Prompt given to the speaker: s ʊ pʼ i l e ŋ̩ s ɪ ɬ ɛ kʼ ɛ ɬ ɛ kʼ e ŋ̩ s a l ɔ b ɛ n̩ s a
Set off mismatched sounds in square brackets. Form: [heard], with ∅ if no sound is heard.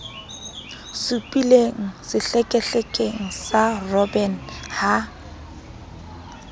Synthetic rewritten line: s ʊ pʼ i l e ŋ̩ s ɪ ɬ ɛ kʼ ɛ ɬ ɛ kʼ e ŋ̩ s a [r] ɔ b ɛ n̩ [h] a